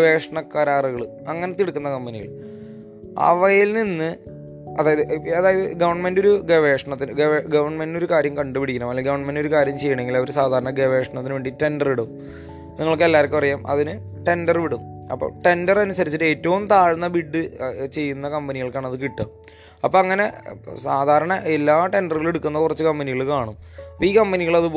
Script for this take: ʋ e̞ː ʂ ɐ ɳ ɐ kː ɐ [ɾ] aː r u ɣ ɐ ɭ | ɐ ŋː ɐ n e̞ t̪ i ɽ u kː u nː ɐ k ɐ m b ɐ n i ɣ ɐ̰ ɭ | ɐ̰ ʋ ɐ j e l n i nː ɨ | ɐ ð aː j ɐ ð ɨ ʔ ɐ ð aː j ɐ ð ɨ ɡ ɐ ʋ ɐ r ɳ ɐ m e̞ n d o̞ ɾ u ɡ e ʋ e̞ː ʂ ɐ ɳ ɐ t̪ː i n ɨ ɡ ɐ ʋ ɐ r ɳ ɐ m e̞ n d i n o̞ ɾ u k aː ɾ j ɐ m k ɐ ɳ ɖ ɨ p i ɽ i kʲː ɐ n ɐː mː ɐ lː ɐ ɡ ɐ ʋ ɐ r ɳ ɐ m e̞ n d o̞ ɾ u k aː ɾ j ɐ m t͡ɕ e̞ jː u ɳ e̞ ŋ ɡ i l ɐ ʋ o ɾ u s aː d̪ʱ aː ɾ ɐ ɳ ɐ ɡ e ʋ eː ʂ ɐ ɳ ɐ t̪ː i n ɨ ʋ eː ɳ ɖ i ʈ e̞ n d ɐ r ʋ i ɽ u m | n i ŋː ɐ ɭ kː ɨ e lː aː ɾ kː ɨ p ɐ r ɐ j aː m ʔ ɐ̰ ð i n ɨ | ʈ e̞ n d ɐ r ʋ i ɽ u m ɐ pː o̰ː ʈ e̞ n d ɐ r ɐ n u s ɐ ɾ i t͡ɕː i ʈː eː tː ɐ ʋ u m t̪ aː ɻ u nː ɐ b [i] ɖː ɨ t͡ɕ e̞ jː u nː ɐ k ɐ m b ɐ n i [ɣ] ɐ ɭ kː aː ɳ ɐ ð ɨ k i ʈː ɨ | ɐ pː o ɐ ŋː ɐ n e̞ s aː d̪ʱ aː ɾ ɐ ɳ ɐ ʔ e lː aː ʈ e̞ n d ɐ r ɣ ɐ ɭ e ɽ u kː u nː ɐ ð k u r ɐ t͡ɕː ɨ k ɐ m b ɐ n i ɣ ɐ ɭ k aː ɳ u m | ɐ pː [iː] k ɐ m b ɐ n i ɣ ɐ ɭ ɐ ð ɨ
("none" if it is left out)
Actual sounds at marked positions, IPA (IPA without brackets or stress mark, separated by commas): ɾ, i, ɣ, iː